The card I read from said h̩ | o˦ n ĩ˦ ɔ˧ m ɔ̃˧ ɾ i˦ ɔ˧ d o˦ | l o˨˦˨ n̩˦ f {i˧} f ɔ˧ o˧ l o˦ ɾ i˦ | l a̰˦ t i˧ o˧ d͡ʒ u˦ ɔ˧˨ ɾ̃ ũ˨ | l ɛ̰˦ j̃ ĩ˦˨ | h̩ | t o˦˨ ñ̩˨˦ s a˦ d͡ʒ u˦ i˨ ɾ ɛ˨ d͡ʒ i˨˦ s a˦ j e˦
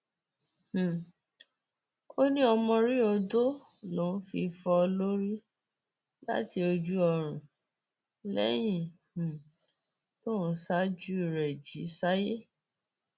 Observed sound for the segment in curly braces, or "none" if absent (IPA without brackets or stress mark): i˧